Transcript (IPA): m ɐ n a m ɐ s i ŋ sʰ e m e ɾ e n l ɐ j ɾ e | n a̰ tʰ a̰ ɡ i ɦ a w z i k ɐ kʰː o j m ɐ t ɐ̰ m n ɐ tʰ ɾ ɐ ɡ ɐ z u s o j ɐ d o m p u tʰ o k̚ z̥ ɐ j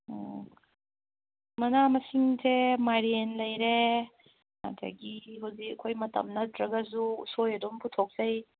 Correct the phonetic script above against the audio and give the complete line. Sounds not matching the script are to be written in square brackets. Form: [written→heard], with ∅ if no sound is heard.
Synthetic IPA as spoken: m ɐ n a m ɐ s i ŋ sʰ e m [e→a] ɾ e n l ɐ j ɾ e | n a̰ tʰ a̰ ɡ i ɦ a w z i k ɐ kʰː o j m ɐ t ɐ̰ m n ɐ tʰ ɾ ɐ ɡ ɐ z u s o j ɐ d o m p u tʰ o k̚ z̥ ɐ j